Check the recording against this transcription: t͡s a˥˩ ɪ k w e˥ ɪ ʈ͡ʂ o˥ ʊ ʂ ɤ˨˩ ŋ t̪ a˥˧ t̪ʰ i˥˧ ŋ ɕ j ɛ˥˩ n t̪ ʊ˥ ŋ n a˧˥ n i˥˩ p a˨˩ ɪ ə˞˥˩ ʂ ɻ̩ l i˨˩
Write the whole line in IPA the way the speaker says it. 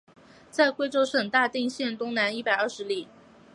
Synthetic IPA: t͡s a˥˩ ɪ k w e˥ ɪ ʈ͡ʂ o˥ ʊ ʂ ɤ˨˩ ŋ t̪ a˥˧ t̪ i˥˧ ŋ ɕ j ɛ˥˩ n t̪ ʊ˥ ŋ n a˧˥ n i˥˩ p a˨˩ ɪ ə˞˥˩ ʂ ɻ̩ l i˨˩